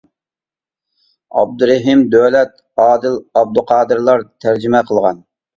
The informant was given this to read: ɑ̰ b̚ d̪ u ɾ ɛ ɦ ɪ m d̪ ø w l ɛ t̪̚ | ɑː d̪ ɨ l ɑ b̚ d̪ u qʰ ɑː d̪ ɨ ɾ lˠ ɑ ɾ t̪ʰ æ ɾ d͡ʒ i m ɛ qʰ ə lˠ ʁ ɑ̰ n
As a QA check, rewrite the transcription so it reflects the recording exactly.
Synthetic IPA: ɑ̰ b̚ d̪ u ɾ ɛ ɦ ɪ m d̪ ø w l ɛ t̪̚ | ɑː d̪ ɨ l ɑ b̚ d̪ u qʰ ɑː d̪ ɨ ɾ lˠ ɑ ɾ t̪ʰ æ ɾ d͡ʒ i m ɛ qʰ ə lˠ ʁ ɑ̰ n